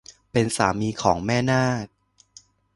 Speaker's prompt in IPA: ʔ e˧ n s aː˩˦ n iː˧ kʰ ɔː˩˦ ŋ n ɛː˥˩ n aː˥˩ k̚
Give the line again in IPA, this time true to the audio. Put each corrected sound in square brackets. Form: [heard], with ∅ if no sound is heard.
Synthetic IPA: [p] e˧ n s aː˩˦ [m] iː˧ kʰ ɔː˩˦ ŋ [m] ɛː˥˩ n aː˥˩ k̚